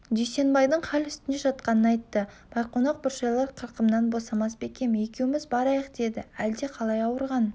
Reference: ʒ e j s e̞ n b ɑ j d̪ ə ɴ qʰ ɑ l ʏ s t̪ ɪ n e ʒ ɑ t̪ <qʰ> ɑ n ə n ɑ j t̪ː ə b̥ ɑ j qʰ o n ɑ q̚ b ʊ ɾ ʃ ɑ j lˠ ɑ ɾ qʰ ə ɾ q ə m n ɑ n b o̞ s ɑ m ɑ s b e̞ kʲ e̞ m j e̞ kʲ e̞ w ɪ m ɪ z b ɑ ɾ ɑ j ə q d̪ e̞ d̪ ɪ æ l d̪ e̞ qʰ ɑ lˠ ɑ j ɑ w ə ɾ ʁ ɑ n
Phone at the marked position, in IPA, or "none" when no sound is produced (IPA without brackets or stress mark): q